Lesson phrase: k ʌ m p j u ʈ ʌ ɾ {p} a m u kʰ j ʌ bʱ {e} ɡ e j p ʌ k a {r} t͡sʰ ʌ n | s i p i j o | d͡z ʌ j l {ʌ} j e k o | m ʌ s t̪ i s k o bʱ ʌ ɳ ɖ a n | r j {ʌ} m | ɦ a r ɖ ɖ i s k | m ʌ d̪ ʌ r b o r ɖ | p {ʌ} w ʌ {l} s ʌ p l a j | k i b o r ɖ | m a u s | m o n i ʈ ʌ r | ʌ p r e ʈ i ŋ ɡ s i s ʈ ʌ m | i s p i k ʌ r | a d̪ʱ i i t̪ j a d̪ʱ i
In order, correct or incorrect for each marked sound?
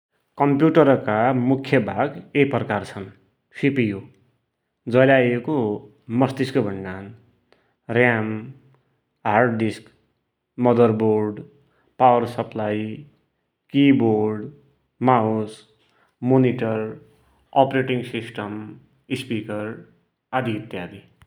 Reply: incorrect: k, incorrect: a, correct, incorrect: a, incorrect: a, incorrect: a, incorrect: r

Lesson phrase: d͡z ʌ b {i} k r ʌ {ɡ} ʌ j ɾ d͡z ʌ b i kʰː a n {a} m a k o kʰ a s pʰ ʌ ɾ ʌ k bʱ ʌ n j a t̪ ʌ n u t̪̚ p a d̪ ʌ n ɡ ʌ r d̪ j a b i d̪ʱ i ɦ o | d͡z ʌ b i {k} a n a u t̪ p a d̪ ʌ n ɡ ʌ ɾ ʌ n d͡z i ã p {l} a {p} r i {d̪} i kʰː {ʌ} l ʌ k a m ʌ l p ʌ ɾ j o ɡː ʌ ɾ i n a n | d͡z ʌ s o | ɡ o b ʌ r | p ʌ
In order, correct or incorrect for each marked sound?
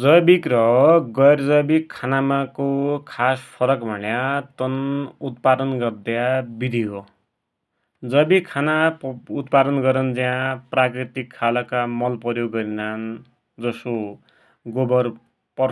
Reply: correct, correct, correct, incorrect: kʰ, incorrect: r, incorrect: k, incorrect: t̪, incorrect: a

